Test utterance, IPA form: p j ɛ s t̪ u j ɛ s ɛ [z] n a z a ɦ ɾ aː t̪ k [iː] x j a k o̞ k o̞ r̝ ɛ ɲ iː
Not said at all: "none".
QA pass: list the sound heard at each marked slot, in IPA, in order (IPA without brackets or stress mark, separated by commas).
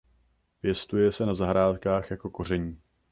none, aː